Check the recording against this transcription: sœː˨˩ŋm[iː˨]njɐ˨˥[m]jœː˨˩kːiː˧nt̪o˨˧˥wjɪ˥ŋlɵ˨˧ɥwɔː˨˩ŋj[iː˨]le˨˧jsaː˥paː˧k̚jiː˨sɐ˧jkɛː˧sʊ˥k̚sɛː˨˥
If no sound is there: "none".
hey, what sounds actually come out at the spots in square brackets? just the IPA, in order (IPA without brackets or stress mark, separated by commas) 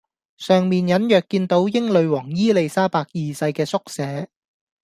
iː˨, n, iː˥